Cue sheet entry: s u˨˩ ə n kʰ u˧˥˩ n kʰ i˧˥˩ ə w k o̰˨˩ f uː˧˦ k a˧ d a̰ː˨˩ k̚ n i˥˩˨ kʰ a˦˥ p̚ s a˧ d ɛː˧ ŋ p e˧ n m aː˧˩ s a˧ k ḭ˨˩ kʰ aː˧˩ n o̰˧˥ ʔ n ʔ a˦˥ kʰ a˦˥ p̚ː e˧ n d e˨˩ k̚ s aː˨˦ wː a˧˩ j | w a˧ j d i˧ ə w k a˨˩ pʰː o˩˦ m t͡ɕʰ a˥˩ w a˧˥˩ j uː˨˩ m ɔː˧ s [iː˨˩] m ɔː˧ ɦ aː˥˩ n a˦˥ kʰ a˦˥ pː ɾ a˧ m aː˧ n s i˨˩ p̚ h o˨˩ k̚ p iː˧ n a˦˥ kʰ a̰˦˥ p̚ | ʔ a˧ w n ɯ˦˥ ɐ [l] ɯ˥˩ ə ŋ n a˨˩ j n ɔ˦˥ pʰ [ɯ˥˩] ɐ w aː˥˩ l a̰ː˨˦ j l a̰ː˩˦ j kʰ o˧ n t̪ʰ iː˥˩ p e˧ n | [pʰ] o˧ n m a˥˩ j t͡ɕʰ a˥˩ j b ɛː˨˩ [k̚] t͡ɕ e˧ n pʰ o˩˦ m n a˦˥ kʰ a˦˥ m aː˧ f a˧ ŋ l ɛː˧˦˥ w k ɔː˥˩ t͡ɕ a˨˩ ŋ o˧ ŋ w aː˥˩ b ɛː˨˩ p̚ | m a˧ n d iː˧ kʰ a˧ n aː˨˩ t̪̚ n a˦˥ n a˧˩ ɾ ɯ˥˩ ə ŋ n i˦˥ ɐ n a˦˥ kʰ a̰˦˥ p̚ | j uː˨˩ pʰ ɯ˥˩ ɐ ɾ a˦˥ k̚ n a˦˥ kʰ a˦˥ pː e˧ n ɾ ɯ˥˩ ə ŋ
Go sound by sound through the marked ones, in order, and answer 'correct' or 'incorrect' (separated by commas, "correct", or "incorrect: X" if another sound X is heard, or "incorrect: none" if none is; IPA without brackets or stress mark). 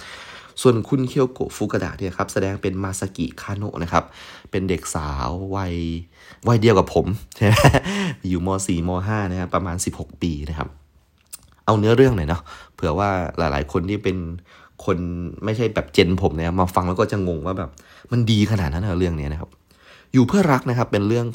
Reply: correct, incorrect: ɾ, incorrect: ɯ˩˦, incorrect: kʰ, incorrect: p̚